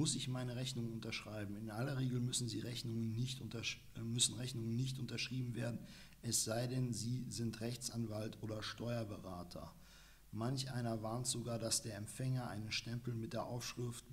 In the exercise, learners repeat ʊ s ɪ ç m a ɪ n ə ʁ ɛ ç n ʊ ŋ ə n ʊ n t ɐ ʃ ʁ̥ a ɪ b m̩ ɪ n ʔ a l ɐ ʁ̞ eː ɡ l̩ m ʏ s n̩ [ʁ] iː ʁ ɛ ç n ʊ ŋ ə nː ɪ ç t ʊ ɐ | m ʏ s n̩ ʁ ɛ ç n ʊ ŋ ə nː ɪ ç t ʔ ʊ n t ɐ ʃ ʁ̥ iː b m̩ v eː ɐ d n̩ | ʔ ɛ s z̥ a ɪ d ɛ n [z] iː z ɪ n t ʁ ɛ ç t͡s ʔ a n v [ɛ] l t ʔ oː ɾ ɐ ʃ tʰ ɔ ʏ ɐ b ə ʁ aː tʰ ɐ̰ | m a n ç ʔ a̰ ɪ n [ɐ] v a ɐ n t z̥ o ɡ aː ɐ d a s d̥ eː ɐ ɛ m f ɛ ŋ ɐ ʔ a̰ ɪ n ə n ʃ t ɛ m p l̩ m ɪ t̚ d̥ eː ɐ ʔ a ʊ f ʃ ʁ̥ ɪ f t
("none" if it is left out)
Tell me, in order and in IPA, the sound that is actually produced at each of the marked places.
z, z, a, ɐ

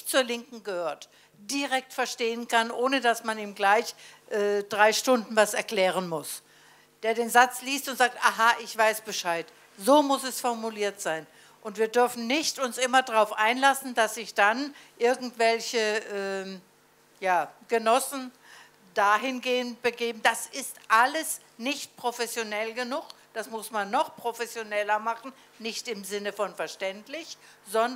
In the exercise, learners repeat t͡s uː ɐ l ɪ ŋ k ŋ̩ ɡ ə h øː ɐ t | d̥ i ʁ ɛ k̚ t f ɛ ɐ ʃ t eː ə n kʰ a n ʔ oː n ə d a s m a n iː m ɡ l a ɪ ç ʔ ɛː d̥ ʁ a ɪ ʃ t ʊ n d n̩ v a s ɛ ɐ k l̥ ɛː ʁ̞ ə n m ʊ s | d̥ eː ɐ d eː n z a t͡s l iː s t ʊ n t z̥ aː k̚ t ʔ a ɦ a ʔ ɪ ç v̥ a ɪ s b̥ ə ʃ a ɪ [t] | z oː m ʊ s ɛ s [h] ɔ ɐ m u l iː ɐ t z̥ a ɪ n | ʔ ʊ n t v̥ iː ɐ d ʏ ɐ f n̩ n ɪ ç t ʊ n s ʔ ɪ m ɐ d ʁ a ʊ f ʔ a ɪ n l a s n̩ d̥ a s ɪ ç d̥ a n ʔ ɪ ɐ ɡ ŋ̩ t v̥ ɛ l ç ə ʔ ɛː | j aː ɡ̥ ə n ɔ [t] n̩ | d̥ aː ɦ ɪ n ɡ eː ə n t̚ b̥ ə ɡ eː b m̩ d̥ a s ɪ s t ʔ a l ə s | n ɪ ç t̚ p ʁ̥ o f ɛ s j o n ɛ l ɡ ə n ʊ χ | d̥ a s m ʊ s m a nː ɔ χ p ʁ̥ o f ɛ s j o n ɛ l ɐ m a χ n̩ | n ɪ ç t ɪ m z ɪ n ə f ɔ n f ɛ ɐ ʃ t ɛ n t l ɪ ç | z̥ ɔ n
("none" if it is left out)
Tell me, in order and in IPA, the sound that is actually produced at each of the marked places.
t, f, s

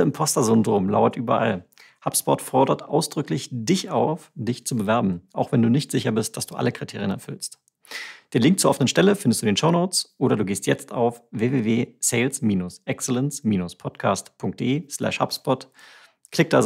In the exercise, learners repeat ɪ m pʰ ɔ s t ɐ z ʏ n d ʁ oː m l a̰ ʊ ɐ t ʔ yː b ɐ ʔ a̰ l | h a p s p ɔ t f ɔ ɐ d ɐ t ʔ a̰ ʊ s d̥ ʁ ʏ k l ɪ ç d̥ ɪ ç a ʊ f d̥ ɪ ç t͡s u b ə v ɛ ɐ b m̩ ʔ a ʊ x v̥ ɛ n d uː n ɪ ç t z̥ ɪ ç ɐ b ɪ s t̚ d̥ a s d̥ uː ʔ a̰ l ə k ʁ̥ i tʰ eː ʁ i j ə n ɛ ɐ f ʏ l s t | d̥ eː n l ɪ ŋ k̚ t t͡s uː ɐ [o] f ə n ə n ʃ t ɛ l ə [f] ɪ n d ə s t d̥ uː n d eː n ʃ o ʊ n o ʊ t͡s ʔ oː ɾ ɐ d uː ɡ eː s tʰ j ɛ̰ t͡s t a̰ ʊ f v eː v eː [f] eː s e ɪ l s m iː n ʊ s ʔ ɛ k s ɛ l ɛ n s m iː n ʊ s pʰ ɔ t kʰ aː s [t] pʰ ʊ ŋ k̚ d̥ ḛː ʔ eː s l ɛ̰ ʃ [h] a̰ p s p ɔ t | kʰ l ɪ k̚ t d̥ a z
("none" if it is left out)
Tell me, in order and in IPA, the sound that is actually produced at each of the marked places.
ɔ, f, v, t, h

